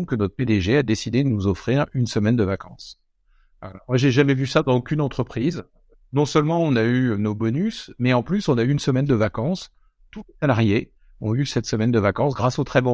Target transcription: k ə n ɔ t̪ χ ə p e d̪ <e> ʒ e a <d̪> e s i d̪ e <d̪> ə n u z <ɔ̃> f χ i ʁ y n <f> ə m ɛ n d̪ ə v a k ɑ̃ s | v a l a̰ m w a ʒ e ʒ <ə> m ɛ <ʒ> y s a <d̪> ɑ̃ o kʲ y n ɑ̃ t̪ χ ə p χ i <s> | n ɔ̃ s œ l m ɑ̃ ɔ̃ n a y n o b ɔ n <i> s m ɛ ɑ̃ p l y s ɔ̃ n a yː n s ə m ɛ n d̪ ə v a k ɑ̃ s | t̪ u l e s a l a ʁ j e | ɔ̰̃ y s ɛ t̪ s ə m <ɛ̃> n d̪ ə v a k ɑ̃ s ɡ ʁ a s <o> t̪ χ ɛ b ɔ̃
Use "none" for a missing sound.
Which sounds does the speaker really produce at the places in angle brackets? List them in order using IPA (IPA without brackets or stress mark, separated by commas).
e, d̪, d̪, ɔ, s, a, v, d̪, z, y, ɛ, o